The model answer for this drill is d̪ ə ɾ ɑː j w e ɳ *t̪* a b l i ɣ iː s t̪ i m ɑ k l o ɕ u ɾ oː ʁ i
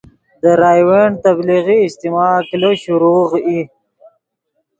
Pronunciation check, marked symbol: correct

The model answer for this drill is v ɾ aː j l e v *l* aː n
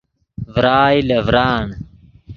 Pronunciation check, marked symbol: incorrect: ɾ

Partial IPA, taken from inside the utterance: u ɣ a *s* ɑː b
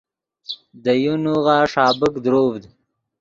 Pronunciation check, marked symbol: incorrect: ʂ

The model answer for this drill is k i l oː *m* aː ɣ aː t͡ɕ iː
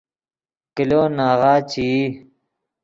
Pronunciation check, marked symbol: incorrect: n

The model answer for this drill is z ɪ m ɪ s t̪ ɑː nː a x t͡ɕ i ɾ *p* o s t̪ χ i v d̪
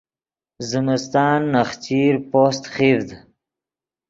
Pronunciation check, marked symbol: correct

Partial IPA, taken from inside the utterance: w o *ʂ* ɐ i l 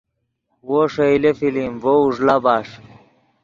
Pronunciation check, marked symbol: correct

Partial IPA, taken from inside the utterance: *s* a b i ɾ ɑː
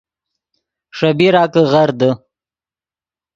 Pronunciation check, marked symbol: incorrect: ʂ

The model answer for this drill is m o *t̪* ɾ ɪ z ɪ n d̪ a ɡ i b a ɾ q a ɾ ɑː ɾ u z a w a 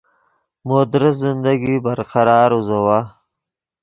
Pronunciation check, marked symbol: incorrect: d̪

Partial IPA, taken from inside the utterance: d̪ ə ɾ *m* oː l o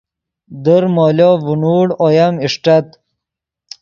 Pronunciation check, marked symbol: correct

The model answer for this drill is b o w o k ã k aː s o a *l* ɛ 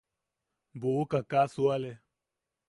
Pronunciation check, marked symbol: correct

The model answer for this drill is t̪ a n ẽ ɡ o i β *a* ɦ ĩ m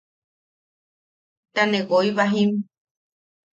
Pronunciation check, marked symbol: correct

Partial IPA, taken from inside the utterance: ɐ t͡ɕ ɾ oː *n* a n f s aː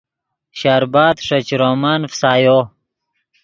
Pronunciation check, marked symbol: incorrect: m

